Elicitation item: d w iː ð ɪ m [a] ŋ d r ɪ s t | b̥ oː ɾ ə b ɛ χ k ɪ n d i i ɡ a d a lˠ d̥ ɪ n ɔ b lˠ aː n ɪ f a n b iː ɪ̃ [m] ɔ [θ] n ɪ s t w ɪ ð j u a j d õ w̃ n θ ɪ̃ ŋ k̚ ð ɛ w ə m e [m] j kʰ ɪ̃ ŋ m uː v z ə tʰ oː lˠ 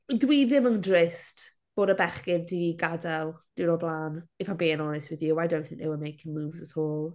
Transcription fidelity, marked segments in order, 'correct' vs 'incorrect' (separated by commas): incorrect, incorrect, incorrect, incorrect